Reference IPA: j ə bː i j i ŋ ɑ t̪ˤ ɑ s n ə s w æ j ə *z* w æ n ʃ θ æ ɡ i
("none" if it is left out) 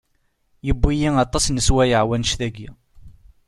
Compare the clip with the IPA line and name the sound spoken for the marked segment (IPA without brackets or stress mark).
ʕ